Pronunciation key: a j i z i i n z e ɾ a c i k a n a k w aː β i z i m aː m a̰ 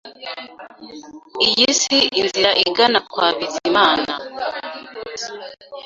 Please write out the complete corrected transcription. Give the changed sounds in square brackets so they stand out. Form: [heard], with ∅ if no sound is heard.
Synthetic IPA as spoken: [i] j i [s] i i n z [i] ɾ a [ʔ] i [ɡ] a n a k w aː β i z i m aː [n] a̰